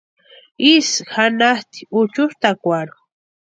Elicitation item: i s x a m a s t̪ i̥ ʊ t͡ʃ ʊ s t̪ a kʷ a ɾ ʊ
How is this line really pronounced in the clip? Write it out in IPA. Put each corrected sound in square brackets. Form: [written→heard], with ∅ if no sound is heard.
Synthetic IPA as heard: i s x a [m→n] a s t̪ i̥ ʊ t͡ʃ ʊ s t̪ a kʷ a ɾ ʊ